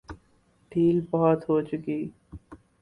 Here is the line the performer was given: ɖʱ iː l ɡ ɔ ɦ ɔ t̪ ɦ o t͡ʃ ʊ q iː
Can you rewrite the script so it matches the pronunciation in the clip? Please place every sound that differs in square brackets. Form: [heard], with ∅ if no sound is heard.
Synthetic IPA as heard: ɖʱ iː l [b] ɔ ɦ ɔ t̪ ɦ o t͡ʃ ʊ [k] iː